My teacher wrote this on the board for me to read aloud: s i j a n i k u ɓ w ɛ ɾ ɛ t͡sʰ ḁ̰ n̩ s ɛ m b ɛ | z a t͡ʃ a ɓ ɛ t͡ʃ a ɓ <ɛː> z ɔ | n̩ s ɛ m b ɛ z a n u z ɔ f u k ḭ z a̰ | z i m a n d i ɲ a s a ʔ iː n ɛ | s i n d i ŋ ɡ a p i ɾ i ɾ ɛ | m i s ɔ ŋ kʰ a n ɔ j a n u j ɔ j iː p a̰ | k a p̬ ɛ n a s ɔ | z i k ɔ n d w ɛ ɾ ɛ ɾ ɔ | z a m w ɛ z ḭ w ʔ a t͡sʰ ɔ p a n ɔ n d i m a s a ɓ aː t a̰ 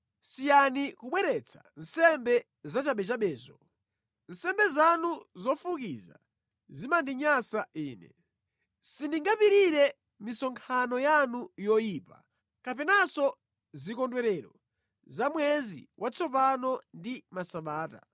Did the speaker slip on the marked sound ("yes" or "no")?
no